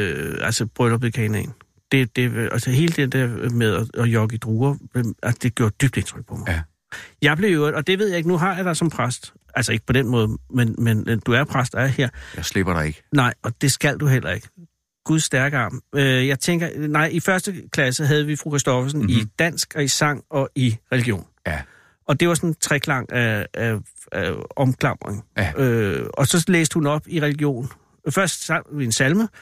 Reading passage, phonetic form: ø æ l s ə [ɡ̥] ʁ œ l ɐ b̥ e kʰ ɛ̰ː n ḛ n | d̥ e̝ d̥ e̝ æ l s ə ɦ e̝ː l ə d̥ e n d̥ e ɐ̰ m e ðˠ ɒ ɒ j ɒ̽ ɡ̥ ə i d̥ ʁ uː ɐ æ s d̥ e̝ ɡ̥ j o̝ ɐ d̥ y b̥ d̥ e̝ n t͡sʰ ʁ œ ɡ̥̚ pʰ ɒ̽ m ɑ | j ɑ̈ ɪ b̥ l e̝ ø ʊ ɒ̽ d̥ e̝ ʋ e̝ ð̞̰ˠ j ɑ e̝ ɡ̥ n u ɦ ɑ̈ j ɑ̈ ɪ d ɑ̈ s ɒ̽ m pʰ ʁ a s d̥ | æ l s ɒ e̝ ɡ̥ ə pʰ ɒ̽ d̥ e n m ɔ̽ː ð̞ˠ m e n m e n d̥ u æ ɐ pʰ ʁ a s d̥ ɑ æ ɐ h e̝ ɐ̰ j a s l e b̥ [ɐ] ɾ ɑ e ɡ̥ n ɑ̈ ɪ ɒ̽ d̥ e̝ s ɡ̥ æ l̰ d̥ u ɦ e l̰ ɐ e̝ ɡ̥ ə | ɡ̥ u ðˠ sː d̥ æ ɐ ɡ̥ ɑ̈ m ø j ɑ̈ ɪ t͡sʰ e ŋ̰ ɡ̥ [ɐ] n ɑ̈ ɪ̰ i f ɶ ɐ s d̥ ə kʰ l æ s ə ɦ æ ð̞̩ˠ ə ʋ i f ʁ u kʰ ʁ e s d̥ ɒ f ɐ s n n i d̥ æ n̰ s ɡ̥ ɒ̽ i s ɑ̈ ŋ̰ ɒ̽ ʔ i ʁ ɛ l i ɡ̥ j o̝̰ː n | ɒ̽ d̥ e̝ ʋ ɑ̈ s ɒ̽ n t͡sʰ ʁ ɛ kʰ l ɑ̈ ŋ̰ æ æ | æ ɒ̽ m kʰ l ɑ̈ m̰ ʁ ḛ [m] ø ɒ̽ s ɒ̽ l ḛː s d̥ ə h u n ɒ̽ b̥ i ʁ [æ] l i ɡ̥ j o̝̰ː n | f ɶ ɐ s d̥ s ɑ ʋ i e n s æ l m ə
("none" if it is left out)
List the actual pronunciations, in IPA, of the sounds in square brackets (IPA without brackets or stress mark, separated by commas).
b̥, ɐ, ɐ, ŋ, ɛ